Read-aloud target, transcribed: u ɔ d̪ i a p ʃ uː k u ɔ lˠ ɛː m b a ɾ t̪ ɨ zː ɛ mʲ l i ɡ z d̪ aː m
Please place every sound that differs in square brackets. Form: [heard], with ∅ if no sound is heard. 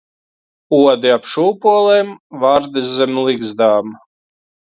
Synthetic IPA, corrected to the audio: u ɔ d̪ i a p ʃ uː [p] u ɔ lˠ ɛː m [v] a ɾ [d̪] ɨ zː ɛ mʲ l i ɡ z d̪ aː m